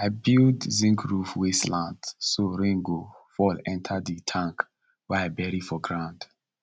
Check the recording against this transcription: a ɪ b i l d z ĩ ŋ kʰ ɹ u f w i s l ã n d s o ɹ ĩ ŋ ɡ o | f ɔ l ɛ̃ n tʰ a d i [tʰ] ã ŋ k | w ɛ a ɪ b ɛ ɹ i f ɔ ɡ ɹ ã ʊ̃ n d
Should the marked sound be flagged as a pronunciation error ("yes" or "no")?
no